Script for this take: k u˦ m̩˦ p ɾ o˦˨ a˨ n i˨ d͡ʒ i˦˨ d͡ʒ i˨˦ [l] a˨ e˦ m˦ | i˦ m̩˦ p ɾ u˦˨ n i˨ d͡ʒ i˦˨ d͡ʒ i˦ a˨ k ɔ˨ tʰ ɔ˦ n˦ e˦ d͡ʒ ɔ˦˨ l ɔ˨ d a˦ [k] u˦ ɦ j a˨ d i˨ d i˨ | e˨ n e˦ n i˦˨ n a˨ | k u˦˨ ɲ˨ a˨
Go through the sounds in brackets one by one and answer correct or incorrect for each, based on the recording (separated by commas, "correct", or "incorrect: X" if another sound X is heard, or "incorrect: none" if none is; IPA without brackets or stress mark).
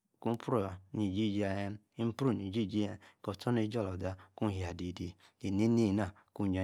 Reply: incorrect: none, correct